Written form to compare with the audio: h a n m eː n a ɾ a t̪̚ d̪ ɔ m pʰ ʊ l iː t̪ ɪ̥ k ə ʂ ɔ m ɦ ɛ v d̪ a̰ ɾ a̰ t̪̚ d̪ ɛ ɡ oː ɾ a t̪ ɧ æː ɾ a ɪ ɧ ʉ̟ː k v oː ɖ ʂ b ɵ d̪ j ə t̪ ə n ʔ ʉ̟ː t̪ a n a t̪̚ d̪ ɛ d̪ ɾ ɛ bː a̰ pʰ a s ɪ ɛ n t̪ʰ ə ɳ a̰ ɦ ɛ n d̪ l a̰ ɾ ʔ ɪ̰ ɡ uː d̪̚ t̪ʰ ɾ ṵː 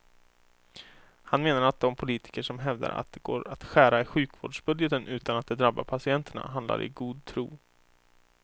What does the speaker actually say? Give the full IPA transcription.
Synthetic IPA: h a n m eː n a ɾ a t̪̚ d̪ ɔ m pʰ ʊ l iː t̪ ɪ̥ k ə ʂ ɔ m ɦ ɛ v d̪ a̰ ɾ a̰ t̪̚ d̪ ɛ ɡ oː ɾ a t̪ ɧ æː ɾ a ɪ ɧ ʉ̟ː k v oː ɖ ʂ b ɵ d̪ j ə t̪ ə n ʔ ʉ̟ː t̪ a n a t̪̚ d̪ ɛ d̪ ɾ a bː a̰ pʰ a s ɪ ɛ n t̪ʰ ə ɳ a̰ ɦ a n d̪ l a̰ ɾ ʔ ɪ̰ ɡ uː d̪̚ t̪ʰ ɾ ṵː